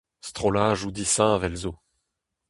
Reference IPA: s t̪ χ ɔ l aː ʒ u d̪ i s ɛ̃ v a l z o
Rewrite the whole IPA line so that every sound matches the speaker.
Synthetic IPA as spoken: s t̪ χ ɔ l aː ʒ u d̪ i s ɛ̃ v ɛ l z o